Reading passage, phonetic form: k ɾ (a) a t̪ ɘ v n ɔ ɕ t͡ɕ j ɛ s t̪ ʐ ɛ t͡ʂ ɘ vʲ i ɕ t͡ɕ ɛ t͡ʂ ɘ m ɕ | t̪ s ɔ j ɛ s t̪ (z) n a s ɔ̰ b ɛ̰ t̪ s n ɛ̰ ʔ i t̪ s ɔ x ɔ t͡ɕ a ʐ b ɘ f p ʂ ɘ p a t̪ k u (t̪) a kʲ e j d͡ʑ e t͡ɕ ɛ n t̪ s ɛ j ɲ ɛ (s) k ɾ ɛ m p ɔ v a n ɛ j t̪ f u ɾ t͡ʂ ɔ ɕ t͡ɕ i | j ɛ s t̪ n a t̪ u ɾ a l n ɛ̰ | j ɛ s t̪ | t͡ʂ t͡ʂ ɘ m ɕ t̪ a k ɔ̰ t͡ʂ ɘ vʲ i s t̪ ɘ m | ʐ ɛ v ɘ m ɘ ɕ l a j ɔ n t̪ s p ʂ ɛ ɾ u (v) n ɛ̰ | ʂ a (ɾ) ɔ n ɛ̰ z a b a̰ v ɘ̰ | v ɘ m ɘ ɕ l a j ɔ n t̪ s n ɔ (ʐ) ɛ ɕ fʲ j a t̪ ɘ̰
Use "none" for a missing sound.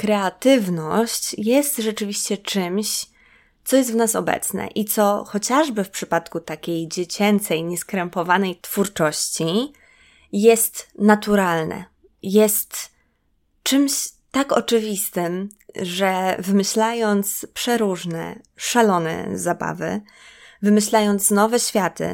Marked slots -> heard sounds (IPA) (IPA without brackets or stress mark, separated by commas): ɛ, v, t̪, s, ʐ, l, v